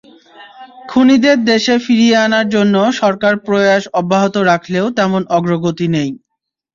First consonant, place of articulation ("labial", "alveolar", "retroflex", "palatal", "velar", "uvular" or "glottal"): velar